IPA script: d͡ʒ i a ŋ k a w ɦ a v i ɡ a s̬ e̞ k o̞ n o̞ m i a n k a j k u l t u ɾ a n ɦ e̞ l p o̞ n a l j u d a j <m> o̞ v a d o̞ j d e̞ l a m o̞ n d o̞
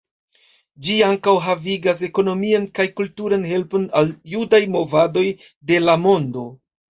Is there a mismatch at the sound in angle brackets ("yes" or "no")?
no